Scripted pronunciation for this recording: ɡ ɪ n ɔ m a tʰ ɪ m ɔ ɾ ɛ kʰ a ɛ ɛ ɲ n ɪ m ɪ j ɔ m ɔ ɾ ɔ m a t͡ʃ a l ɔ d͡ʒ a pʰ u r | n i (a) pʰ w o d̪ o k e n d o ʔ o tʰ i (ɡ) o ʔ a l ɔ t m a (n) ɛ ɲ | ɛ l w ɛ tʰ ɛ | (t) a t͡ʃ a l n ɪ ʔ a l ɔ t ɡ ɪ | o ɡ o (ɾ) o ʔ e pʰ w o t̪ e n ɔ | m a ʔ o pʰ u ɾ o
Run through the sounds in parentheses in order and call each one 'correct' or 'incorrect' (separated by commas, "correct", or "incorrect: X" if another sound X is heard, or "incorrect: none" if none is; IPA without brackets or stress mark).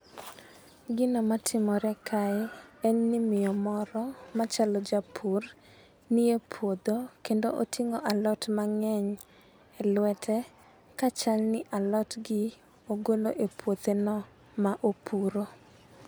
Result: incorrect: e, incorrect: ŋ, incorrect: ŋ, incorrect: k, incorrect: l